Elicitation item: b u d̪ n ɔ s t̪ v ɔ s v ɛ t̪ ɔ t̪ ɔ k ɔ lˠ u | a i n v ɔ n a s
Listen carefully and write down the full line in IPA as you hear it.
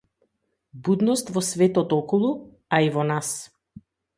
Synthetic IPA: b u d̪ n ɔ s t̪ v ɔ s v ɛ t̪ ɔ t̪ ɔ k ɔ lˠ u | a i v ɔ n a s